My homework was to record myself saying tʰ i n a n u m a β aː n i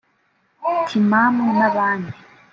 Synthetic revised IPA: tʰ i m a m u n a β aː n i

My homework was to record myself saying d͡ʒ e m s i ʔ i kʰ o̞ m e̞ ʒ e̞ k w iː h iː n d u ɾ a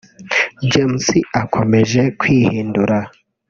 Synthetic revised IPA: d͡ʒ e m s i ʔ a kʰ o̞ m e̞ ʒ e̞ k w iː h iː n d u ɾ a

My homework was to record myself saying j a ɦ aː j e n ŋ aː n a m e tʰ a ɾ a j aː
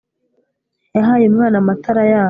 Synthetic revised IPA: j a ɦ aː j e m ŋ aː n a m a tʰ a ɾ a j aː

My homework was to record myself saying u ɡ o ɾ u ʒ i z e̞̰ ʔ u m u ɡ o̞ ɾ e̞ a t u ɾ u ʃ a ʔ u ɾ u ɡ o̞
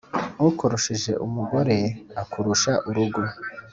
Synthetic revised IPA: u k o ɾ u ʃ i ʒ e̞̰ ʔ u m u ɡ o̞ ɾ e̞ a k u ɾ u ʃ a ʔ u ɾ u ɡ o̞

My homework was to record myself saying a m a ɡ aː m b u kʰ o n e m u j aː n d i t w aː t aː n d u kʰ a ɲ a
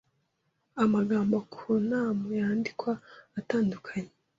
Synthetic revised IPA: a m a ɡ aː m b o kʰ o n a m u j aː n d i k w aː t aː n d u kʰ a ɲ e

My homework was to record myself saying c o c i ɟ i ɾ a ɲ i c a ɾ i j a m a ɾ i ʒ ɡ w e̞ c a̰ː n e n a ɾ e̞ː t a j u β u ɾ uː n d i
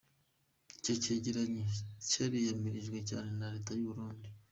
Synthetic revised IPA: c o c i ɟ i ɾ a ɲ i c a ɾ i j a m i ɾ i ʒ ɡ w e̞ c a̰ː n e n a ɾ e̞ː t a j u β u ɾ uː n d i

